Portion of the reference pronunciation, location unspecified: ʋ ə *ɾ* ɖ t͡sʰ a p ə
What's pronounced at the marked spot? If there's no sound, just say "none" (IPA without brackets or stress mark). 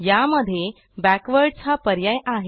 ɾ